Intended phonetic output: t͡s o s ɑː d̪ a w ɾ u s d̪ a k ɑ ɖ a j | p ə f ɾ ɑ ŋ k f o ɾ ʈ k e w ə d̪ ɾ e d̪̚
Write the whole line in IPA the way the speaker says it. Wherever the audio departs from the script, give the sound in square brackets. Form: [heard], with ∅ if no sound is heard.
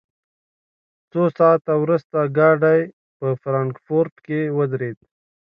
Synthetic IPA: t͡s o s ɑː [t̪] a w ɾ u s [t̪] a [ɡ] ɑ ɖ a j | p ə f ɾ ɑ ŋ k f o ɾ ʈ k e w ə d̪ ɾ e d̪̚